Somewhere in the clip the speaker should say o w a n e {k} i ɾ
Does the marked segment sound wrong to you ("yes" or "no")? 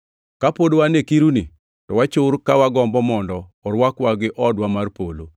no